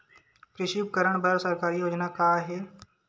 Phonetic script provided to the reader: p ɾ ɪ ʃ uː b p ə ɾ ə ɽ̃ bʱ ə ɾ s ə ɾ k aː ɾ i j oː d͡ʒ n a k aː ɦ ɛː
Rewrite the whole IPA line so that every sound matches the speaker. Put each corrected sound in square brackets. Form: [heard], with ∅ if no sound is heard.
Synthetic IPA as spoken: p ɾ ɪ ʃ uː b [k] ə ɾ ə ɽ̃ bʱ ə ɾ s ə ɾ k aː ɾ i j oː d͡ʒ n a k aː ɦ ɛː